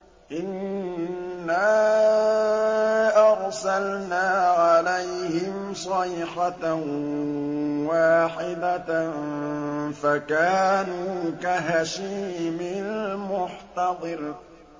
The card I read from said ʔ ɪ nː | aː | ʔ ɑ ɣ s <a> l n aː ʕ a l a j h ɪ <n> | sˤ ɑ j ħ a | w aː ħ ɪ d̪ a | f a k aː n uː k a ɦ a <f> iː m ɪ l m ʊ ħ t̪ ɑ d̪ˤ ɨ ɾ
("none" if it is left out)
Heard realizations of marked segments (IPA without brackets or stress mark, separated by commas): a, m, ʃ